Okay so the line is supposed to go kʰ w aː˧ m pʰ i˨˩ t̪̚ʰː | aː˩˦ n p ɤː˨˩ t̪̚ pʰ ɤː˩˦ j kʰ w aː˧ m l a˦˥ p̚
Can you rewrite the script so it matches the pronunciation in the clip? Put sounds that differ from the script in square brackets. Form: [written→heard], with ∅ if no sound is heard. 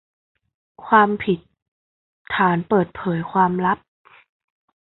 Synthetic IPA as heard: kʰ w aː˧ m pʰ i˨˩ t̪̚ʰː | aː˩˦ n p ɤː˨˩ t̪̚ pʰ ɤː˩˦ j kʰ w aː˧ m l a˦˥ p̚